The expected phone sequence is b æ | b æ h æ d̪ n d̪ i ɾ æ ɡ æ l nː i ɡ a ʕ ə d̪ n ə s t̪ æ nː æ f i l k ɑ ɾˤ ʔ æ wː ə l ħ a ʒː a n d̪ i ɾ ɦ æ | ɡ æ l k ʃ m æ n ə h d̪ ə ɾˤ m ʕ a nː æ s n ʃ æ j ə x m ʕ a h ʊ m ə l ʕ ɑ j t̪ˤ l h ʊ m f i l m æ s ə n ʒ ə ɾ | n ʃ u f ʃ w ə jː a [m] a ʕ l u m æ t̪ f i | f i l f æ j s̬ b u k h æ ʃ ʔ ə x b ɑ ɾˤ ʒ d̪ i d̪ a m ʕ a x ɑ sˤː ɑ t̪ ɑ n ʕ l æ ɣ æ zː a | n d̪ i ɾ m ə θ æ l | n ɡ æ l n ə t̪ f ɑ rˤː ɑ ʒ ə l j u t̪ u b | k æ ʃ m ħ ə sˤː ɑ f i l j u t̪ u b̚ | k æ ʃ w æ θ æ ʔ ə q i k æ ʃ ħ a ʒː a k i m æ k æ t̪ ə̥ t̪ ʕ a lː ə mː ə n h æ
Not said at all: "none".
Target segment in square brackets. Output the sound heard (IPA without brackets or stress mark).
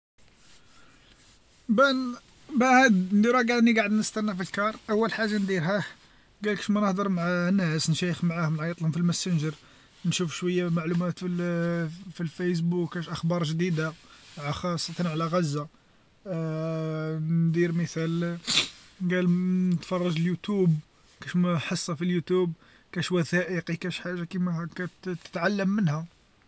m